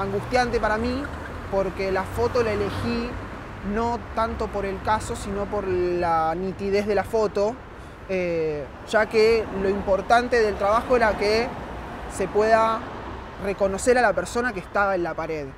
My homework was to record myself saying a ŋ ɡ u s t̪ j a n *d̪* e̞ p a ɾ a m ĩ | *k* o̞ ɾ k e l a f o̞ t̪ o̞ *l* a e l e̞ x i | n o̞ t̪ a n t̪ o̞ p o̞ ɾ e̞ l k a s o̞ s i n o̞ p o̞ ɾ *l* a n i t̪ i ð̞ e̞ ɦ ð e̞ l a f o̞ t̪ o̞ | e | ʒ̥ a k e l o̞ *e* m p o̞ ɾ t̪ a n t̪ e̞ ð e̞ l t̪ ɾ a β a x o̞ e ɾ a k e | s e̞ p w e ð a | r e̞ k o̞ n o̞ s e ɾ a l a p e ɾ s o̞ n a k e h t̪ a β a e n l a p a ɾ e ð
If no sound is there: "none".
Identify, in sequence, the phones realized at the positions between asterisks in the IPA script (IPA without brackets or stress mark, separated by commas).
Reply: t̪, p, l, l, i